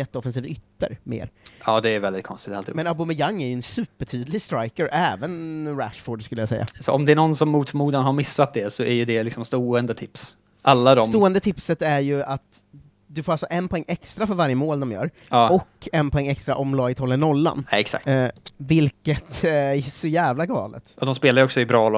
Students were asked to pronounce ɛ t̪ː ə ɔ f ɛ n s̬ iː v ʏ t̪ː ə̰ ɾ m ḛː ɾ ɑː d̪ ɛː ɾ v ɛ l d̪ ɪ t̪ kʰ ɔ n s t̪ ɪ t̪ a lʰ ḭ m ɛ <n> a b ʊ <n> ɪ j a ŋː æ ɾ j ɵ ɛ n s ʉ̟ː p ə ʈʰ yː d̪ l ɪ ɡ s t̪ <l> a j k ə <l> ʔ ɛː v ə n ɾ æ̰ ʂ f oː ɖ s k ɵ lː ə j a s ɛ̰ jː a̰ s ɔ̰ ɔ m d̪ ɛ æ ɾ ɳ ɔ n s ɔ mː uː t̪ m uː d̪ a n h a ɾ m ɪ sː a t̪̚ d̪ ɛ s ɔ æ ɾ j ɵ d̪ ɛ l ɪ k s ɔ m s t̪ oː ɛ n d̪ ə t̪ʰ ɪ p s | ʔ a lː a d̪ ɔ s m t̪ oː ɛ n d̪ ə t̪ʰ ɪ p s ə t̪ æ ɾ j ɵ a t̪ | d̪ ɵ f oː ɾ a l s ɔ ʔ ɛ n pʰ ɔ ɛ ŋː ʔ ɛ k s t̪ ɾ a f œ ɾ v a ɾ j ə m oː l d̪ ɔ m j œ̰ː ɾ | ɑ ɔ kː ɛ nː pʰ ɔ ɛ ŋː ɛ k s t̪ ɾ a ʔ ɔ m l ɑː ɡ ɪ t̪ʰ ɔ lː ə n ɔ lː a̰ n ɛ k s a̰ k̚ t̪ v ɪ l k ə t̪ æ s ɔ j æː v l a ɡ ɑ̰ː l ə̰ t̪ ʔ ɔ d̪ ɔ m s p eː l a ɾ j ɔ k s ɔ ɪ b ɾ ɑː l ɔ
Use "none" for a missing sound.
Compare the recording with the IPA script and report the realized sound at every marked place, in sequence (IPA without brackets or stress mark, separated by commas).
n, m, ɾ, ɾ